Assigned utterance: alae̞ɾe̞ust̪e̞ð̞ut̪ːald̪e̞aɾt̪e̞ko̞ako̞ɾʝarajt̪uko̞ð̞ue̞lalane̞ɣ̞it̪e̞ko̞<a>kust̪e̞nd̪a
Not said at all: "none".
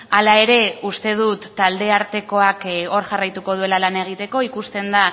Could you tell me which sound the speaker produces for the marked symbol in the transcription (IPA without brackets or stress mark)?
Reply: i